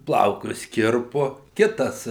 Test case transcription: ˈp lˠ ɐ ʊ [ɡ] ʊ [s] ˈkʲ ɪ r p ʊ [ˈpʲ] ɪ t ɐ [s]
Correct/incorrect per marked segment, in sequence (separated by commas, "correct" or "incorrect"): incorrect, correct, incorrect, correct